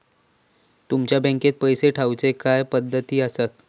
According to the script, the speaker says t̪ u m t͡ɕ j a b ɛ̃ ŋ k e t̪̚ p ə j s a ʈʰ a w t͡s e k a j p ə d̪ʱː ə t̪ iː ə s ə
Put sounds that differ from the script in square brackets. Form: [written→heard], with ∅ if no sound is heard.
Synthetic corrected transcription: t̪ u m t͡ɕ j a b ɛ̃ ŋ k e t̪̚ p ə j s [a→e] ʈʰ a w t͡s e k a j p ə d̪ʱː ə t̪ iː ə s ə